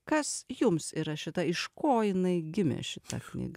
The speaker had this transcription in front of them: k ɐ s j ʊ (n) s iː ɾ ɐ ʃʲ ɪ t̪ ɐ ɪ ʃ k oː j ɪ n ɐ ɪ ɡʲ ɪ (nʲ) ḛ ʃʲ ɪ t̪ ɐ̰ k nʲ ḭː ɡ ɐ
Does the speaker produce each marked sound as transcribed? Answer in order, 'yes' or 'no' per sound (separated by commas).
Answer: no, no